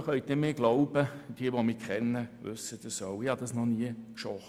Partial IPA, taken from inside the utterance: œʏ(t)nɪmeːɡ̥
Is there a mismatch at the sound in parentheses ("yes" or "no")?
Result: no